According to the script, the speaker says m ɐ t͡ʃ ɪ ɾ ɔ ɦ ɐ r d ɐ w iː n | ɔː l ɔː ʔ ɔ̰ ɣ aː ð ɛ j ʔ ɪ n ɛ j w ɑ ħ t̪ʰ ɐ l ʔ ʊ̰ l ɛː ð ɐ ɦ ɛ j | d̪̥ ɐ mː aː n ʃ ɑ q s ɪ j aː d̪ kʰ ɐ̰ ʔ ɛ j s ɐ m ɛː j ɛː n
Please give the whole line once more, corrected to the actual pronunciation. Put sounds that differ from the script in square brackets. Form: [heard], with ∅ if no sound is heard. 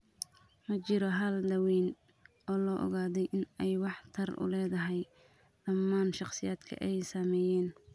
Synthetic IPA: m ɐ t͡ʃ ɪ ɾ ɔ ɦ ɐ [l] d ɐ w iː n | ɔː l ɔː ʔ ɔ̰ ɣ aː ð ɛ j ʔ ɪ n ɛ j w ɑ ħ t̪ʰ ɐ [r] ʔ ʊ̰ l ɛː ð ɐ ɦ ɛ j | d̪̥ ɐ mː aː n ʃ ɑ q s ɪ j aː d̪ kʰ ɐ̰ ʔ ɛ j s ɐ m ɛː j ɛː n